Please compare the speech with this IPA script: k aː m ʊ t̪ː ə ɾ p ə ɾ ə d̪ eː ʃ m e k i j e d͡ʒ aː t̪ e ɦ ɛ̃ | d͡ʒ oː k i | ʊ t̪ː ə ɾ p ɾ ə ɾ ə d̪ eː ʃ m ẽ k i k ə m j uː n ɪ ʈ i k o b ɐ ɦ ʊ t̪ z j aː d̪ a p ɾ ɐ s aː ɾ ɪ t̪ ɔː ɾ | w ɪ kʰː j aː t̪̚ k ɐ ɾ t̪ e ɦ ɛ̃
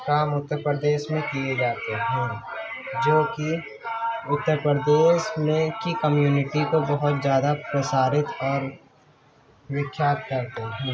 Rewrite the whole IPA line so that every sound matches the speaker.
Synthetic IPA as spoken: k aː m ʊ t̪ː ə ɾ p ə ɾ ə d̪ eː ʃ m ẽ k i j e d͡ʒ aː t̪ e ɦ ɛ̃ | d͡ʒ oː k i | ʊ t̪ː ə ɾ p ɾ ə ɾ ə d̪ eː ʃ m ẽ k i k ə m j uː n ɪ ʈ i k o b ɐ ɦ ʊ t̪ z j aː d̪ a p ɾ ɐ s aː ɾ ɪ t̪ ɔː ɾ | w ɪ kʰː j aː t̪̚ k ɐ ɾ t̪ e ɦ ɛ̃

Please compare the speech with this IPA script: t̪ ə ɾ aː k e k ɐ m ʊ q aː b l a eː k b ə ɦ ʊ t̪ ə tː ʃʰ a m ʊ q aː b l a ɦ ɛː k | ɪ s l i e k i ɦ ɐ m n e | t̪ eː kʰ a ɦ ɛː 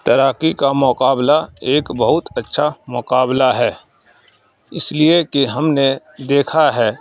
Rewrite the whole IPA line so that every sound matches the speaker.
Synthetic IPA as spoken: t̪ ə ɾ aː k i k a m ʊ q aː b l a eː k b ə ɦ ʊ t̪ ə tː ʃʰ a m ʊ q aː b l a ɦ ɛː | ɪ s l i e k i ɦ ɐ m n e | d̪ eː kʰ a ɦ ɛː

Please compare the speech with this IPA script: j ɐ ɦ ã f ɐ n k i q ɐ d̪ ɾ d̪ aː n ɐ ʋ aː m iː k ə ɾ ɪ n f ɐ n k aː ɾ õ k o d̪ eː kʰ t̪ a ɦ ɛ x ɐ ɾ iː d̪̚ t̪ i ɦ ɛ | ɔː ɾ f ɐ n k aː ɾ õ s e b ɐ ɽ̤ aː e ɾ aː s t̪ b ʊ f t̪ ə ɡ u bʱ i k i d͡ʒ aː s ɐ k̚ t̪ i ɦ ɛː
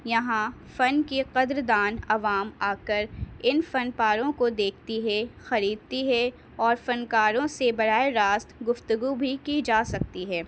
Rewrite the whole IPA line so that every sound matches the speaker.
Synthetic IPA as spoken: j ɐ ɦ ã f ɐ n k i q ɐ d̪ ɾ d̪ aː n ɐ ʋ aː m aː k ə ɾ ɪ n f ɐ n p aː ɾ õ k o d̪ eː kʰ t̪ i ɦ ɛ x ɐ ɾ iː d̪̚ t̪ i ɦ ɛ | ɔː ɾ f ɐ n k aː ɾ õ s e b ɐ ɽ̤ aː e ɾ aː s t̪ ɡ ʊ f t̪ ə ɡ u bʱ i k i d͡ʒ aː s ɐ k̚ t̪ i ɦ ɛː

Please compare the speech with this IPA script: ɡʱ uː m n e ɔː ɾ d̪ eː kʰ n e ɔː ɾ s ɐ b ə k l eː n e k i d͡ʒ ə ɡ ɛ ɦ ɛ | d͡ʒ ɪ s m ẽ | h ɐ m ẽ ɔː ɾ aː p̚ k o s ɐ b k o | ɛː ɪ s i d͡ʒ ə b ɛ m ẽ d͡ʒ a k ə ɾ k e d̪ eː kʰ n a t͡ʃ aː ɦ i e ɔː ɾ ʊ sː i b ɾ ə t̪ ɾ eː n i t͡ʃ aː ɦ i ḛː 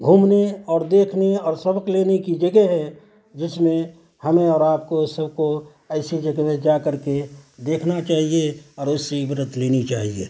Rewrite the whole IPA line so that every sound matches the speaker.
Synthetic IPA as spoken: ɡʱ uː m n e ɔː ɾ d̪ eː kʰ n e ɔː ɾ s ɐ b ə k l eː n e k i d͡ʒ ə ɡ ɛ ɦ ɛ | d͡ʒ ɪ s m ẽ | h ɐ m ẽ ɔː ɾ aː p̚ k o s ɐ b k o | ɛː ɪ s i d͡ʒ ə ɡ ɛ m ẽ d͡ʒ a k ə ɾ k e d̪ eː kʰ n a t͡ʃ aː ɦ i e ɔː ɾ ʊ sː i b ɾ ə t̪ l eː n i t͡ʃ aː ɦ i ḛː

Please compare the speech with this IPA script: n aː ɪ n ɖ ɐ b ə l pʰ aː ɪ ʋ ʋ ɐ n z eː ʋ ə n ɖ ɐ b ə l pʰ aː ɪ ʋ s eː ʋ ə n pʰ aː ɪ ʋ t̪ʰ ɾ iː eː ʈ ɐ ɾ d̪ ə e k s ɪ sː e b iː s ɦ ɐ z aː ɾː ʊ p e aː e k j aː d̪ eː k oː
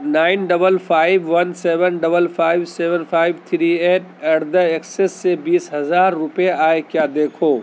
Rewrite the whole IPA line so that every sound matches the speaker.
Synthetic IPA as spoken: n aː ɪ n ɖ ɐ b ə l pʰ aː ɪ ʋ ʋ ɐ n s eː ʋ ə n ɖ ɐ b ə l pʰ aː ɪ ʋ s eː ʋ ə n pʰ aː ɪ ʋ t̪ʰ ɾ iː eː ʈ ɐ ɾ d̪ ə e k s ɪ sː e b iː s ɦ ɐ z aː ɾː ʊ p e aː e k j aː d̪ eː kʰ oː

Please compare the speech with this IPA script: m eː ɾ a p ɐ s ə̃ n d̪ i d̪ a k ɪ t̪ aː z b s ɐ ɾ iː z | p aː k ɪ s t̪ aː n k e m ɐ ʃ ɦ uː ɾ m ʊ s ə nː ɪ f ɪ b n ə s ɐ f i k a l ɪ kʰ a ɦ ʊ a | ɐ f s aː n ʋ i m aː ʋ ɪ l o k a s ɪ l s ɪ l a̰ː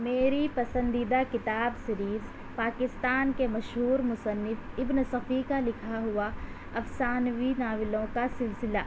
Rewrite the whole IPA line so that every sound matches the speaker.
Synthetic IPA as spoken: m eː ɾ i p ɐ s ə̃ n d̪ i d̪ a k ɪ t̪ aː b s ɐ ɾ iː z | p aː k ɪ s t̪ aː n k e m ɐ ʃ ɦ uː ɾ m ʊ s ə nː ɪ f ɪ b n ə s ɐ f i k a l ɪ kʰ a ɦ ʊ a | ɐ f s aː n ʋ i n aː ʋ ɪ l õ k a s ɪ l s ɪ l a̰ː

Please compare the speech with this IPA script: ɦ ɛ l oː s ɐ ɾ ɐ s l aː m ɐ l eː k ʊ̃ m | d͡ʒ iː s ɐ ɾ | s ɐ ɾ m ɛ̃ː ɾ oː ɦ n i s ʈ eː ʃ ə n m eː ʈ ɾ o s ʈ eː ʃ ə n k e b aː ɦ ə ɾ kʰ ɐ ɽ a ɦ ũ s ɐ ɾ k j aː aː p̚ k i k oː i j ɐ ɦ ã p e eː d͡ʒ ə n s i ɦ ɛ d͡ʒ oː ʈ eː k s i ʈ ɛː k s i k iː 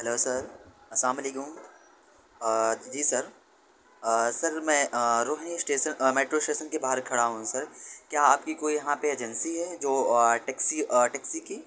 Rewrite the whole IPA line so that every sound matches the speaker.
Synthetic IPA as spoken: ɦ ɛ l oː s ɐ ɾ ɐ s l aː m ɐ l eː k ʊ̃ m | d͡ʒ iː s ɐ ɾ | s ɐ ɾ m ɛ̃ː ɾ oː ɦ n i s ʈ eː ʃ ə n m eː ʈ ɾ o s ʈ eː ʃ ə n k e b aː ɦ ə ɾ kʰ ɐ ɽ a ɦ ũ s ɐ ɾ k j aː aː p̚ k i k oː i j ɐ ɦ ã p e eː d͡ʒ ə n s i ɦ ɛ d͡ʒ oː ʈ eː k s i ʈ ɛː k s i k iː

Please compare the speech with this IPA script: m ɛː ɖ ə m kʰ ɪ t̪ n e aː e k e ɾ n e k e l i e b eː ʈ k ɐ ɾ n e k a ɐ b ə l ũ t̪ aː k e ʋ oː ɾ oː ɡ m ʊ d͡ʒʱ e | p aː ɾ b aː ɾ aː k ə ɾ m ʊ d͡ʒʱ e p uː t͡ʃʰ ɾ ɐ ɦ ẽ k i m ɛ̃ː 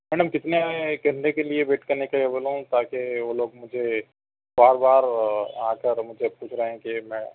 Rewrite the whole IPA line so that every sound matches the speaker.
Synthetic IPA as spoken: m ɛː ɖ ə m k ɪ t̪ n e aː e k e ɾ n e k e l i e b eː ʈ k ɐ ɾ n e k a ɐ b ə l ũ t̪ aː k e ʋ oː l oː ɡ m ʊ d͡ʒʱ e | b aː ɾ b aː ɾ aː k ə ɾ m ʊ d͡ʒʱ e p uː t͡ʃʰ ɾ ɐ ɦ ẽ k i m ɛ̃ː

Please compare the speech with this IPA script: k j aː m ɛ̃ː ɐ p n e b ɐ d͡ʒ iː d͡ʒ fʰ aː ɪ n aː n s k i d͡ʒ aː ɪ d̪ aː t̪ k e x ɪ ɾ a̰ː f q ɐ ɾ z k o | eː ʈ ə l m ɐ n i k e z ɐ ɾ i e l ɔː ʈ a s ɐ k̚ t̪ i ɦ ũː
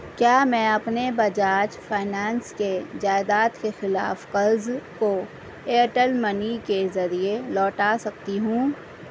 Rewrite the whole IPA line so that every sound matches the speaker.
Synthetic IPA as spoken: k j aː m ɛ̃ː ɐ p n e b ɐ d͡ʒ aː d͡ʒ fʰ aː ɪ n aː n s k e d͡ʒ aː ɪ d̪ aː t̪ k e x ɪ l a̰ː f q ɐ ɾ z k o | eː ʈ ə l m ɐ n i k e z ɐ ɾ i e l ɔː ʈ a s ɐ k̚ t̪ i ɦ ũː

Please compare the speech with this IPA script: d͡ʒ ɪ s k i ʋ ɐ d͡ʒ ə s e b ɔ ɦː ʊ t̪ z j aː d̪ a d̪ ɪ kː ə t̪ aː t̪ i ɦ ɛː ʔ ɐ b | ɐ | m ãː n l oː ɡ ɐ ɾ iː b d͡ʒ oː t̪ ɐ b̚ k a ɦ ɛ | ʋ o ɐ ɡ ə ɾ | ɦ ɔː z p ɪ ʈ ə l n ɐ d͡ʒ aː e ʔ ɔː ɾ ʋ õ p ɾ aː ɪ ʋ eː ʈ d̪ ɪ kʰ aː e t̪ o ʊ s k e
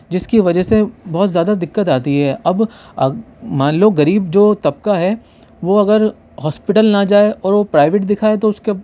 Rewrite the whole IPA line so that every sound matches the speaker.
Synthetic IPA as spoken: d͡ʒ ɪ s k i ʋ ɐ d͡ʒ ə s e b ɔ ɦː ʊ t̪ z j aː d̪ a d̪ ɪ kː ə t̪ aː t̪ i ɦ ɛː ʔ ɐ b | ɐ | m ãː n l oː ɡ ɐ ɾ iː b d͡ʒ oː t̪ ɐ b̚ k a ɦ ɛ | ʋ o ɐ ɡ ə ɾ | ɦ ɔː s p ɪ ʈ ə l n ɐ d͡ʒ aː e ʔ ɔː ɾ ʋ o p ɾ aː ɪ ʋ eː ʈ d̪ ɪ kʰ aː e t̪ o ʊ s k e

